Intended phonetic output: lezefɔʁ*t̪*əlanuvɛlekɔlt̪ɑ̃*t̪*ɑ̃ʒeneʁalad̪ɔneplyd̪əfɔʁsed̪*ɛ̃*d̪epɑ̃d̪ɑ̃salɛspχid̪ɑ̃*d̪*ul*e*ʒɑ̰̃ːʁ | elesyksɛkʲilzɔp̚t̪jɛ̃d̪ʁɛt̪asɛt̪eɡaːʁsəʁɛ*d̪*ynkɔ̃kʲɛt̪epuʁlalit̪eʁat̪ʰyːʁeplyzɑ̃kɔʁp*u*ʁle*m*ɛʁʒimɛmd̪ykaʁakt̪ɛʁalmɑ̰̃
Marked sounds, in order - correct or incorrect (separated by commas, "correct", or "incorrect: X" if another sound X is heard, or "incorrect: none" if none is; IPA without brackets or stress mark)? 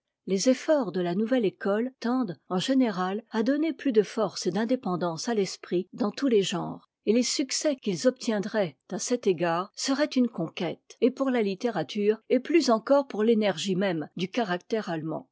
incorrect: d̪, incorrect: d̪, correct, incorrect: t̪, correct, incorrect: t̪, correct, incorrect: n